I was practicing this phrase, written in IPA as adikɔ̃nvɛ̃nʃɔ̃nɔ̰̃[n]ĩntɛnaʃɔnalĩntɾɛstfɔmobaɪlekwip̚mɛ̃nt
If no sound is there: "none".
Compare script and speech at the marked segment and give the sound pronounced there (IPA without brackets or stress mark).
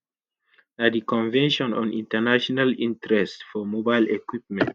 n